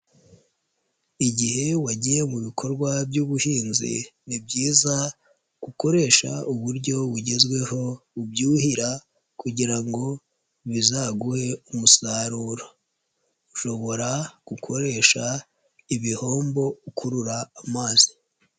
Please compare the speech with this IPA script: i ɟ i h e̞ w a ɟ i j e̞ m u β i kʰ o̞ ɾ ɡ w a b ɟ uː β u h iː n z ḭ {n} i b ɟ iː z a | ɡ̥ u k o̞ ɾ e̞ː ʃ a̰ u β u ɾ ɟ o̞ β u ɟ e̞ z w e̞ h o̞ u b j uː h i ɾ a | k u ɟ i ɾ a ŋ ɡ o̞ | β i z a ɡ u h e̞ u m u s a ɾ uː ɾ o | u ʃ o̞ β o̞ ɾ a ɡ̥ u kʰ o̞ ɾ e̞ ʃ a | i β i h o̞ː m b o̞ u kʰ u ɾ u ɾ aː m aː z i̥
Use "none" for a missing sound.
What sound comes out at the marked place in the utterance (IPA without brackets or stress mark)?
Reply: n